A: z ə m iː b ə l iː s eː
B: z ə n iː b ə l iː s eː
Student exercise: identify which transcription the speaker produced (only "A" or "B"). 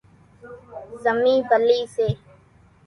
A